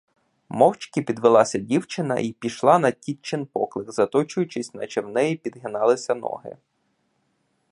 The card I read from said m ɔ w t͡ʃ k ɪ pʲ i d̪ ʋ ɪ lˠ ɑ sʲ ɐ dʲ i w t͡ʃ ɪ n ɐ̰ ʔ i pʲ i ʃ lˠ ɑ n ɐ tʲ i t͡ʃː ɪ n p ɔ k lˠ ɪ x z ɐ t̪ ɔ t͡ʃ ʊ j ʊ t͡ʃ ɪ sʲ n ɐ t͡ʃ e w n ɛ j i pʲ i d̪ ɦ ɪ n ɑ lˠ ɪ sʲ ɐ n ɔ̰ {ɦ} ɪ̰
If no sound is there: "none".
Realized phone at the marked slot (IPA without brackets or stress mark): ɦ